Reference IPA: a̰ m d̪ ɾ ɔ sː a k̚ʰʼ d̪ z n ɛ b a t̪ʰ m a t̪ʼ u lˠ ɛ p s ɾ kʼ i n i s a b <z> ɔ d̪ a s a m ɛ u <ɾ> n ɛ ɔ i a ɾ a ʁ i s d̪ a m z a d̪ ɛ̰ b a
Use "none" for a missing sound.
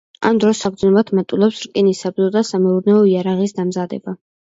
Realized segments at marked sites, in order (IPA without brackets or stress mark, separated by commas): z, ɾ